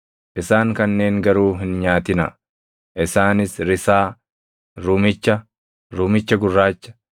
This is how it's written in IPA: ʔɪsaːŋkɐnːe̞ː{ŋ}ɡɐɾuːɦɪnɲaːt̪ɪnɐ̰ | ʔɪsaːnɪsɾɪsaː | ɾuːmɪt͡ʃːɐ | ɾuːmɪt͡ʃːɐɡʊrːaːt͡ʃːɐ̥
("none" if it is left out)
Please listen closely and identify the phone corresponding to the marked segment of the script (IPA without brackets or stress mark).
ŋ